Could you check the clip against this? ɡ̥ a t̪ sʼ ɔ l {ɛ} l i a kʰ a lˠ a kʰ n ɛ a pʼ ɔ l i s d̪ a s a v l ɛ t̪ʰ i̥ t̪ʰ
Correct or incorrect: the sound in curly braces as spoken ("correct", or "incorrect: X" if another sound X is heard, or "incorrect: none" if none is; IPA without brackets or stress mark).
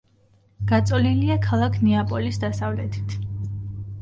incorrect: i